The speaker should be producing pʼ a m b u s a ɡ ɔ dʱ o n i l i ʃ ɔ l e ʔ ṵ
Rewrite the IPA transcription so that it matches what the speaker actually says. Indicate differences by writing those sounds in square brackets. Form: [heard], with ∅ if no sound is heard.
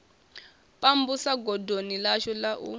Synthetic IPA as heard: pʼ a m b u s a ɡ ɔ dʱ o n i l [a] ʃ ɔ l [a] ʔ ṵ